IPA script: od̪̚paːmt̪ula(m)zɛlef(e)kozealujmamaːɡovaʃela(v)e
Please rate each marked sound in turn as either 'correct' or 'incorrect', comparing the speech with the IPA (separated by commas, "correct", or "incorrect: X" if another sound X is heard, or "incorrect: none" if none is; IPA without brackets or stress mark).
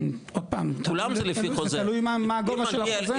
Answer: correct, incorrect: i, incorrect: z